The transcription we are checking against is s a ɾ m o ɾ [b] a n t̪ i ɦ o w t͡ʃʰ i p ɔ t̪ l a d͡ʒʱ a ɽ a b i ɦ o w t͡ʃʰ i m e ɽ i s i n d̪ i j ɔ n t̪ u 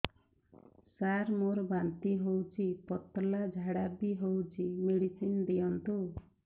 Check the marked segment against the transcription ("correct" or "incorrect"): correct